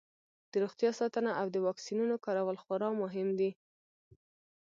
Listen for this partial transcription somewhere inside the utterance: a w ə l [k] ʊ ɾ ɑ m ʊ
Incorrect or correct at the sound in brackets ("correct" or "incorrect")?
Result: incorrect